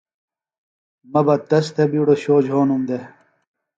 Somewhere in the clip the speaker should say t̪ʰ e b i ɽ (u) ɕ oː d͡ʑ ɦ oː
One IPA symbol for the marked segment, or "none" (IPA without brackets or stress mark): o